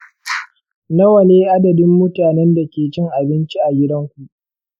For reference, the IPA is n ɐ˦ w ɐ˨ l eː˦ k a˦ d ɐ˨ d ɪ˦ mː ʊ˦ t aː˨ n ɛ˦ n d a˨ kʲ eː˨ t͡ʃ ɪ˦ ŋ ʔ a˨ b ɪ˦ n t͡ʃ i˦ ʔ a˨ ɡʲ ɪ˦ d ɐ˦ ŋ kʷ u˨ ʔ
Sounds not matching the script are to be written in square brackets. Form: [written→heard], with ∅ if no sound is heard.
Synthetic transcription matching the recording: n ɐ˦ w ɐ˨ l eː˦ [k→ʔ] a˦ d ɐ˨ d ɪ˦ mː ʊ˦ t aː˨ n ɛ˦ n d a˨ kʲ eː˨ t͡ʃ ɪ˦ ŋ ʔ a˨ b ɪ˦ n t͡ʃ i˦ ʔ a˨ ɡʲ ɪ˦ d ɐ˦ ŋ kʷ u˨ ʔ